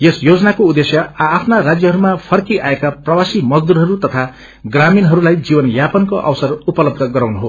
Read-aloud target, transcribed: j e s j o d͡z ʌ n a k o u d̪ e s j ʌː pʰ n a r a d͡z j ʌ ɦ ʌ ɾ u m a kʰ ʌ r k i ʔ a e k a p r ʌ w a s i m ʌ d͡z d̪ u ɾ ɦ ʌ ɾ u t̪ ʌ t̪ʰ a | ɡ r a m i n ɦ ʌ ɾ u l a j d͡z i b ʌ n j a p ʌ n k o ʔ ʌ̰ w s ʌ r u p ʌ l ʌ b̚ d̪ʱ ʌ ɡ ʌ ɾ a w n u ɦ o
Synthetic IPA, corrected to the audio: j e s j o d͡z ʌ n a k o u d̪ e s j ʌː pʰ n a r a d͡z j ʌ ɦ ʌ ɾ u m a pʰ ʌ r k i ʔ a e k a p r ʌ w a s i m ʌ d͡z d̪ u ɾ ɦ ʌ ɾ u t̪ ʌ t̪ʰ a | ɡ r a m i n ɦ ʌ ɾ u l a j d͡z i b ʌ n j a p ʌ n k o ʔ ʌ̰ w s ʌ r u p ʌ l ʌ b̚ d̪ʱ ʌ ɡ ʌ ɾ a w n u ɦ o